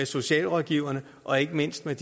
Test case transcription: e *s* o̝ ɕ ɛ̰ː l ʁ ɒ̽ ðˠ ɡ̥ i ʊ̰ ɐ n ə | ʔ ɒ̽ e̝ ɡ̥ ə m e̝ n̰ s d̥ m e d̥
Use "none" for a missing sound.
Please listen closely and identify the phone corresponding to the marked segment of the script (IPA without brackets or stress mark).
s